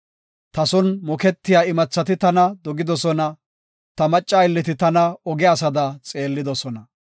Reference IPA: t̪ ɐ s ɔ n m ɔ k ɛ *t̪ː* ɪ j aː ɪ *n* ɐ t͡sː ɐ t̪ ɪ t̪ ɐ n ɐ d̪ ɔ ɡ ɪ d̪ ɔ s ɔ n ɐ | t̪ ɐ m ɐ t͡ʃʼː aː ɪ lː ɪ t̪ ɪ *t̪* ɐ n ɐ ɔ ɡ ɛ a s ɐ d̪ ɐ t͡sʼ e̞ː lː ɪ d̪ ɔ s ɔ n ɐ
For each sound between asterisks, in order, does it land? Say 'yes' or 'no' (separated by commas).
yes, no, yes